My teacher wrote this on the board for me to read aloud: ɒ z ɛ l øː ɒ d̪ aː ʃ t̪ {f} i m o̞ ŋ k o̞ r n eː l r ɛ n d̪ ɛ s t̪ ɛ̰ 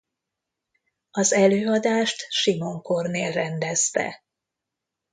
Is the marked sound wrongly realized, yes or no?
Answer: yes